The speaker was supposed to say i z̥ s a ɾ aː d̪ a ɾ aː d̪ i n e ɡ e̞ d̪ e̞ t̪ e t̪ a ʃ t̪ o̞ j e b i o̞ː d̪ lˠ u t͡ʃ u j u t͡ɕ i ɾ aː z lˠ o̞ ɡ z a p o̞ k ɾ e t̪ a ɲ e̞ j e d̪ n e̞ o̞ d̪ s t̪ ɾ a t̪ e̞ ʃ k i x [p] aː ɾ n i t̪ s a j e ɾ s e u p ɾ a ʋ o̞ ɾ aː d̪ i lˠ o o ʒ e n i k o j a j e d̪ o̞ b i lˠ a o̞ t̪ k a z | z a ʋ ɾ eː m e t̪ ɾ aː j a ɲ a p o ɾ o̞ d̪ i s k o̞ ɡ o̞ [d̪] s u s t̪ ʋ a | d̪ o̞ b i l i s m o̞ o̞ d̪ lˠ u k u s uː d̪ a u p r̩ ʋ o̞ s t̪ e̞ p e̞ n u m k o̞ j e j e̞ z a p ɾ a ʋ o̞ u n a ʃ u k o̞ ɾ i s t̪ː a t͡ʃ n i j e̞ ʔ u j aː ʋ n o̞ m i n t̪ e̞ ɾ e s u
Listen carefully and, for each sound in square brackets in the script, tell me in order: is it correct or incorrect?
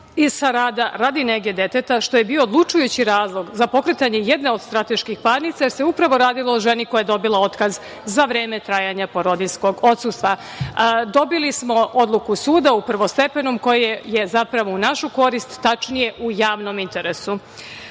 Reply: correct, incorrect: t̪

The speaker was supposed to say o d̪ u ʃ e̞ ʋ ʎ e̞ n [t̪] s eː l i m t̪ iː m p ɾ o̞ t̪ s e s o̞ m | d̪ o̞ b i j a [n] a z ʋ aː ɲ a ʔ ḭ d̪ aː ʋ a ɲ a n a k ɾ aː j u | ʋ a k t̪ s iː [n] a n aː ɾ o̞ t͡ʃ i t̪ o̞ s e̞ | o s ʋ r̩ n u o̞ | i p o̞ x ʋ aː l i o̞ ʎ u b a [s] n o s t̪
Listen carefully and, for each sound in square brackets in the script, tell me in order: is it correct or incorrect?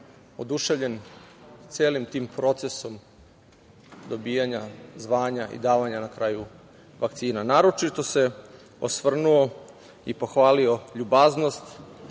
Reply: correct, incorrect: ɲ, correct, incorrect: z

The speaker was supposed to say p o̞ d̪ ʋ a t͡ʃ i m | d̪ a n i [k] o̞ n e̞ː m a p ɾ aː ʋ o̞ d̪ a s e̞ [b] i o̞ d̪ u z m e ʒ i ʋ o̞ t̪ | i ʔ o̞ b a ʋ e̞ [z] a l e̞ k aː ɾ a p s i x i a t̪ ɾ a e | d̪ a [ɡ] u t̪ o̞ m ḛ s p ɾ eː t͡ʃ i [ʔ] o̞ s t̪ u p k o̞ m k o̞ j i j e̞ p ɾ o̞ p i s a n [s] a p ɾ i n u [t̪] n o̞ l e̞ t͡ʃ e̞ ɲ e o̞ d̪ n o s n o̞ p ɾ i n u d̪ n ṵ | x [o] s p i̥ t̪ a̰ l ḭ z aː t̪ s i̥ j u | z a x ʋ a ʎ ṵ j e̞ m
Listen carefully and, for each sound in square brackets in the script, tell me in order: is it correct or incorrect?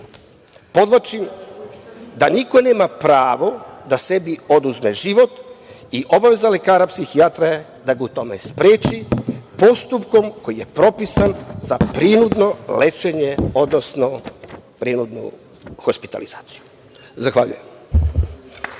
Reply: correct, correct, correct, correct, incorrect: p, incorrect: z, incorrect: d̪, correct

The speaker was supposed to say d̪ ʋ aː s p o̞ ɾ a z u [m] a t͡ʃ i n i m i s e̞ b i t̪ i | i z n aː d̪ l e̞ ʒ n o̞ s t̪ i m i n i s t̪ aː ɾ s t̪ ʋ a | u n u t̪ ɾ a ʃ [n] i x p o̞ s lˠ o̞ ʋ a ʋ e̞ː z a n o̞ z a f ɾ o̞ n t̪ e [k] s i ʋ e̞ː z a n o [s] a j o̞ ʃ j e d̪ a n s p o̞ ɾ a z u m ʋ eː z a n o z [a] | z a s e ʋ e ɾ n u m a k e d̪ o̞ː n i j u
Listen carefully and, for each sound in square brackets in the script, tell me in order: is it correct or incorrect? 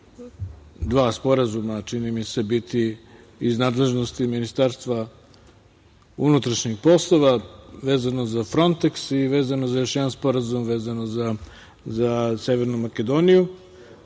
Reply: correct, incorrect: ɲ, correct, incorrect: z, correct

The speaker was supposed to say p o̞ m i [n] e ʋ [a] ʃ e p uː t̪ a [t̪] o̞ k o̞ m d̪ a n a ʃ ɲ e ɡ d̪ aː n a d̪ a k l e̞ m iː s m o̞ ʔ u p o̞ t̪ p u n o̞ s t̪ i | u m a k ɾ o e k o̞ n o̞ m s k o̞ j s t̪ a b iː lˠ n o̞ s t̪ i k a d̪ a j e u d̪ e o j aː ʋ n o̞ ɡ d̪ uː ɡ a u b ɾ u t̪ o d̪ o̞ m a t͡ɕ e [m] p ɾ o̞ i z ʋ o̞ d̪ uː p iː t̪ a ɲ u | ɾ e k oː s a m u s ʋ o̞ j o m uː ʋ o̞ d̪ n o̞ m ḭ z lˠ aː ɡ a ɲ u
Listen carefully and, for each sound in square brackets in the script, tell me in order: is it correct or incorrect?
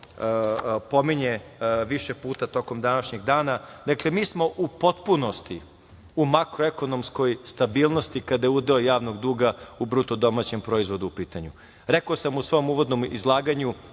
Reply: incorrect: ɲ, incorrect: i, correct, correct

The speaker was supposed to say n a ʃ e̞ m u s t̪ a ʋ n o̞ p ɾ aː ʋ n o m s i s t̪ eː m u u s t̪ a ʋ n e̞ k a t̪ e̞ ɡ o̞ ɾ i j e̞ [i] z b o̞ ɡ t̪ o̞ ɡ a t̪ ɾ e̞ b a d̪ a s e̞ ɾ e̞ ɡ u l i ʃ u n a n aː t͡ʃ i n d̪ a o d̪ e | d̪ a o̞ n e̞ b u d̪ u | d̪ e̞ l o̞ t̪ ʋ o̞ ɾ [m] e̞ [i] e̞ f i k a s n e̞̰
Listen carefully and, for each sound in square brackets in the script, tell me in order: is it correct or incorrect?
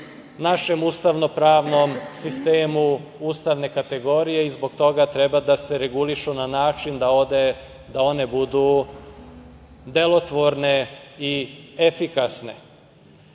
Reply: correct, incorrect: n, correct

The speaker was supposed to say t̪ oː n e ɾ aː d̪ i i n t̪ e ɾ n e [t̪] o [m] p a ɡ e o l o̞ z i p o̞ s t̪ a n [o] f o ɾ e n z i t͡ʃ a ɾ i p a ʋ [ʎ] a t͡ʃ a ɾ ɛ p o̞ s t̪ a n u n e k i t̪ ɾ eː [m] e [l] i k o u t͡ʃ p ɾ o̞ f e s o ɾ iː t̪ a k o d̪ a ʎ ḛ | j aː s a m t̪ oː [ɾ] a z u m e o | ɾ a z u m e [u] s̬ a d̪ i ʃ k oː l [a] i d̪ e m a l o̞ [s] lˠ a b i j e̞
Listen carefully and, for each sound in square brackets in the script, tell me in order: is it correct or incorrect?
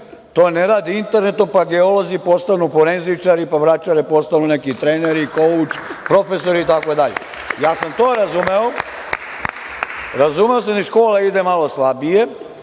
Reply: correct, correct, incorrect: u, incorrect: ɾ, incorrect: n, incorrect: ɾ, correct, incorrect: o, correct, correct

